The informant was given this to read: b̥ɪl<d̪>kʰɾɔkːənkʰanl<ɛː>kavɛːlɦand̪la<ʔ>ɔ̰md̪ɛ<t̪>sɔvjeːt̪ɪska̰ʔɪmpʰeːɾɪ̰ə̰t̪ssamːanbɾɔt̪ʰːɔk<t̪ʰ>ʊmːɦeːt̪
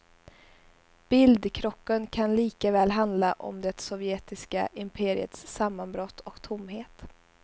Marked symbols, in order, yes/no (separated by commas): yes, no, yes, yes, yes